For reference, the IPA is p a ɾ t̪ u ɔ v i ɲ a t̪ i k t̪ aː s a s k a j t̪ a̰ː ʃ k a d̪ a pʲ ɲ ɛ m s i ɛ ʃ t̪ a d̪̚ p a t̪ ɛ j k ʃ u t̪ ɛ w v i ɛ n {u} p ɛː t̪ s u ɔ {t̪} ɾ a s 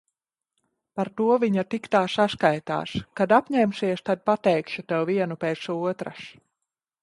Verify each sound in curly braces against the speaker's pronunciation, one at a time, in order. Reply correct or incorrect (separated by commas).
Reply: correct, correct